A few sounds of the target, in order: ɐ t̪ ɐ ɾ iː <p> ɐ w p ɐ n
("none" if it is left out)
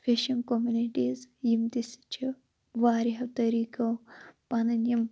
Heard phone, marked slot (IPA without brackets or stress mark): k